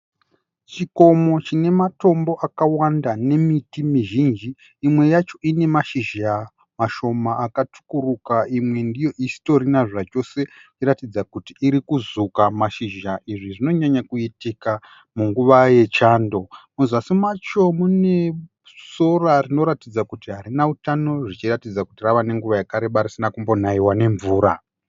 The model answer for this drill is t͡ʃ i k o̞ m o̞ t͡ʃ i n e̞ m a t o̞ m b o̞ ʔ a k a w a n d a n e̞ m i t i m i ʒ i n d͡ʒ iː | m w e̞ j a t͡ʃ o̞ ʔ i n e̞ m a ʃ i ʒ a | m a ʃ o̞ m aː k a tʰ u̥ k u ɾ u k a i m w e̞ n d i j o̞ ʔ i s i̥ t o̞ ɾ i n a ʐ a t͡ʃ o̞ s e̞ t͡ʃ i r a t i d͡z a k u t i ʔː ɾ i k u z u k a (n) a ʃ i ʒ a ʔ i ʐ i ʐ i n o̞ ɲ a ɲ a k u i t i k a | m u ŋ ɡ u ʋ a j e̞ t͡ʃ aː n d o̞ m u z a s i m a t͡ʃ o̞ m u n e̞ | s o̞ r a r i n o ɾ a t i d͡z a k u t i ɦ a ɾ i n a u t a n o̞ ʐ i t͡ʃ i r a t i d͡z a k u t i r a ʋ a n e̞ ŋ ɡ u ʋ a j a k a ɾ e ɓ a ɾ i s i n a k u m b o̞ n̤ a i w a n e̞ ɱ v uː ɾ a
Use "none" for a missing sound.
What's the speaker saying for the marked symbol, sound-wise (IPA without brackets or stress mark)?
m